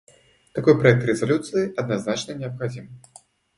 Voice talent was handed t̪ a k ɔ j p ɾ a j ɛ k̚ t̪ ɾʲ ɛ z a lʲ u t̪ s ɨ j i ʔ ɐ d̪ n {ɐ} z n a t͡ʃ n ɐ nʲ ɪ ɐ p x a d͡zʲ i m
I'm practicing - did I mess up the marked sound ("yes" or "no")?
yes